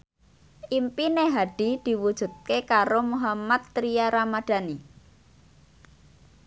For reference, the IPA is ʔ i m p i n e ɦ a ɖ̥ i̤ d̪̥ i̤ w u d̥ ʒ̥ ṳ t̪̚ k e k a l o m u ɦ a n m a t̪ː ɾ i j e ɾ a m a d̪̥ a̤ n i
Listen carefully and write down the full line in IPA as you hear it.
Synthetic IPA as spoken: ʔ i m p i n e ɦ a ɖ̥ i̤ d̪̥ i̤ w u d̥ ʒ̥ ṳ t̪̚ k e k a ɾ o m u ɦ a m a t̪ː ɾ i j a ɾ a m a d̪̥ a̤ n i